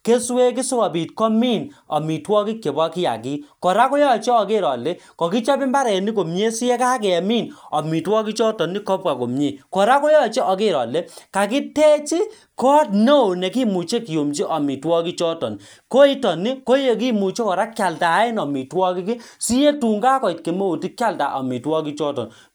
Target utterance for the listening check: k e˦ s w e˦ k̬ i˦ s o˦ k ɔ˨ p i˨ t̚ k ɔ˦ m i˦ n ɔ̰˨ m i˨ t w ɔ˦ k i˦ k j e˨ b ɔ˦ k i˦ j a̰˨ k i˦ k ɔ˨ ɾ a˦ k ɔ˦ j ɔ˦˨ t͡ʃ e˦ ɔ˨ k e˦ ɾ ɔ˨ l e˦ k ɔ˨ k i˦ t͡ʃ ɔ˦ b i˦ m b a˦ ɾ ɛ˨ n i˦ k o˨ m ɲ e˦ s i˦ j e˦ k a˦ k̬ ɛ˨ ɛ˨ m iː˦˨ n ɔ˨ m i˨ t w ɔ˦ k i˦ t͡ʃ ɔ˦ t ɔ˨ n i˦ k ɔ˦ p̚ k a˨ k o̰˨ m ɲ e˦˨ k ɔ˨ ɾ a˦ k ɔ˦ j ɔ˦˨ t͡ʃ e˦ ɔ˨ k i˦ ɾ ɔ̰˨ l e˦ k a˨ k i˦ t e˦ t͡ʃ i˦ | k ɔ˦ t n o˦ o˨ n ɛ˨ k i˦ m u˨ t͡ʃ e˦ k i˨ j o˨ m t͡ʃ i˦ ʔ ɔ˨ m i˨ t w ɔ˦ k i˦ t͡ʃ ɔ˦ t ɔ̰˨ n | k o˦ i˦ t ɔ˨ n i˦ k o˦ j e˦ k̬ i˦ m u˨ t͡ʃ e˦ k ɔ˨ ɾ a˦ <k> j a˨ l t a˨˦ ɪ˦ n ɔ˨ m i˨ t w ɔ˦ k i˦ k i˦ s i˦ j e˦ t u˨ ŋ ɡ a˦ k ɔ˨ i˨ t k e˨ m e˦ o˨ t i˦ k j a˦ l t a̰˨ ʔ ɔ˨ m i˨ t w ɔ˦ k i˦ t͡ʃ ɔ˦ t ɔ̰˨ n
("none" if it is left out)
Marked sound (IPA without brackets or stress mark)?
k